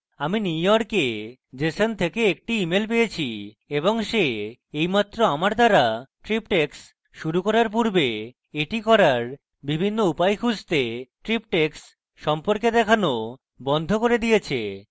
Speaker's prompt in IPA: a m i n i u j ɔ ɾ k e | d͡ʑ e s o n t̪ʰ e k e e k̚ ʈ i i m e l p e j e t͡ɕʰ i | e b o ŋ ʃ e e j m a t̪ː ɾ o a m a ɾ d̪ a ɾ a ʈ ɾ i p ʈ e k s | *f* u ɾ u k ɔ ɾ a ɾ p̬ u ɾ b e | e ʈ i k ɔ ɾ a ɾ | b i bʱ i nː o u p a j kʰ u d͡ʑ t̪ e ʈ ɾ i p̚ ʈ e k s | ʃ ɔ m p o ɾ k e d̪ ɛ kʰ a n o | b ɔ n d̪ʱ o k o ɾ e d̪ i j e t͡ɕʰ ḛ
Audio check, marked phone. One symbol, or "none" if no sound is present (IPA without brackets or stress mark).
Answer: ʃ